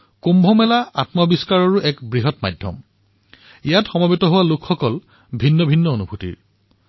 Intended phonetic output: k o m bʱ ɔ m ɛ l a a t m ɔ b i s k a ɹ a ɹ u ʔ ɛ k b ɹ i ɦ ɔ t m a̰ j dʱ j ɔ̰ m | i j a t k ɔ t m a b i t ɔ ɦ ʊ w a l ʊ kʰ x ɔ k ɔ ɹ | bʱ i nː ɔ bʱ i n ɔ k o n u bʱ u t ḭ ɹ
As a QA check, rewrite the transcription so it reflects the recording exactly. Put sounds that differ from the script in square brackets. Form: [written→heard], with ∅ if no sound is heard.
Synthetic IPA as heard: k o m bʱ ɔ m ɛ l a a t m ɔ b i s k a ɹ a ɹ u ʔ ɛ k b ɹ i ɦ ɔ t m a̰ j dʱ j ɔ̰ m | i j a t [k→x] ɔ [t→∅] m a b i t ɔ ɦ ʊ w a l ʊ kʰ x ɔ k ɔ [ɹ→l] | bʱ i nː ɔ bʱ i [n→nː] ɔ [k→∅] o n u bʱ u t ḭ ɹ

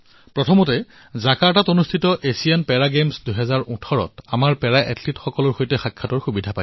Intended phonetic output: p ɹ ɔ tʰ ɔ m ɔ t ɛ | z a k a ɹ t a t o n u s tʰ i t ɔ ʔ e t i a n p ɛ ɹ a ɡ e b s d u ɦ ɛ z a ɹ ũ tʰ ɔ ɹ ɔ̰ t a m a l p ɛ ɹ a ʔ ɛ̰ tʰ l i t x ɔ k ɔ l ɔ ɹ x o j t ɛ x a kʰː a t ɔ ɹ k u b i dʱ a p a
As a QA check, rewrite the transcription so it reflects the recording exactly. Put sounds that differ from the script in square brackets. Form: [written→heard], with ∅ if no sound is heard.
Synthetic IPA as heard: p ɹ ɔ tʰ ɔ m ɔ t ɛ | z a k a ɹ t a t o n u s tʰ i t ɔ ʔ e [t→s] i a n p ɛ ɹ a ɡ e [b→m] s d u ɦ ɛ z a ɹ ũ tʰ ɔ ɹ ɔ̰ t a m a [l→ɹ] p ɛ ɹ a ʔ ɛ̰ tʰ l i t x ɔ k ɔ l ɔ ɹ x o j t ɛ x a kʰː a t ɔ ɹ [k→x] u b i dʱ a p a

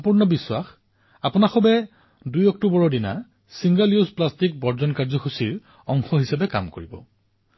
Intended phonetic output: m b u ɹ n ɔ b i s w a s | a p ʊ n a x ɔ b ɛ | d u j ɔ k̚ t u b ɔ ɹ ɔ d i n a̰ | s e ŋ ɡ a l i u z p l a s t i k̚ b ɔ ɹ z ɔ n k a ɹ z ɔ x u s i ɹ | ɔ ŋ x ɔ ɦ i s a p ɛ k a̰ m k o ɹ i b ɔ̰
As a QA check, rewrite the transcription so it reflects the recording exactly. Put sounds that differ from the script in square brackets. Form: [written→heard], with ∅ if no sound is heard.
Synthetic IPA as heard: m [b→p] u ɹ n ɔ b i s w a [s→x] | a p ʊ n a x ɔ b ɛ | d u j ɔ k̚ t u b ɔ ɹ ɔ d i n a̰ | s [e→i] ŋ ɡ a l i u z p l a s t i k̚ b ɔ ɹ z ɔ n k a ɹ z ɔ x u s i ɹ | ɔ ŋ x ɔ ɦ i s a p ɛ k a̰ m k o ɹ i b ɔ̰

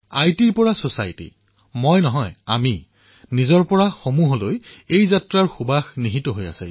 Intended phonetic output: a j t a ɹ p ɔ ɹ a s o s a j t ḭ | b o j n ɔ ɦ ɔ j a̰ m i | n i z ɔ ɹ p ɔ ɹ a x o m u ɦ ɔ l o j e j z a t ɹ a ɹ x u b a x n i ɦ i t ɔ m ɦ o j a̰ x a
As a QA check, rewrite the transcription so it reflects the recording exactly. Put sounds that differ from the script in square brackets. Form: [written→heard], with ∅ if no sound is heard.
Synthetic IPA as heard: a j t [a→i] ɹ p ɔ ɹ a s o s a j t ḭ | [b→m] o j n ɔ ɦ ɔ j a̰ m i | n i z ɔ ɹ p ɔ ɹ a x o m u ɦ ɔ l o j e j z a t ɹ a ɹ x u b a x n i ɦ i t ɔ [m→∅] ɦ o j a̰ [x→s] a

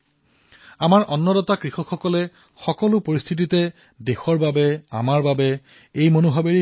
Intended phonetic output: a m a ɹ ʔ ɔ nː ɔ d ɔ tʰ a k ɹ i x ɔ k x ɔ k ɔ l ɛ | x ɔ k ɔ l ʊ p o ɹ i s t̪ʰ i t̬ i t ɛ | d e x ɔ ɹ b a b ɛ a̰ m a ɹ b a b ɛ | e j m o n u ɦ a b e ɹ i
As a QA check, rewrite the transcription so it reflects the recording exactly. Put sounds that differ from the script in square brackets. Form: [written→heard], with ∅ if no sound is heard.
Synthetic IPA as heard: a m a ɹ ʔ ɔ nː ɔ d ɔ [tʰ→t] a k ɹ i x ɔ k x ɔ k ɔ l ɛ | x ɔ k ɔ l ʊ p o ɹ i s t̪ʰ i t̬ i t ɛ | d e x ɔ ɹ b a b ɛ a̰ m a ɹ b a b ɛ | e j m o n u ɦ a b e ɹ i

